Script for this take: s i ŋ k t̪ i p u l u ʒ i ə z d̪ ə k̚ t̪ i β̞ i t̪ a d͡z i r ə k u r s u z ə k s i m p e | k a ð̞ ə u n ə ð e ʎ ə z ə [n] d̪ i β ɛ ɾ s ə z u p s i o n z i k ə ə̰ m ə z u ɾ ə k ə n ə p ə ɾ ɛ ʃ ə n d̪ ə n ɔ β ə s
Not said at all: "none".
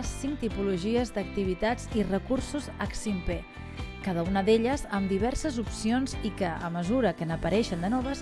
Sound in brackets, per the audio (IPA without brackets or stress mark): m